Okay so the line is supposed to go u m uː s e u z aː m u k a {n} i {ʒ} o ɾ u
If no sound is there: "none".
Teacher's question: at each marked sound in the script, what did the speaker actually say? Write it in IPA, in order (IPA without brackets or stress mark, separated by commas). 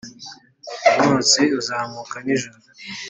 n, ʒ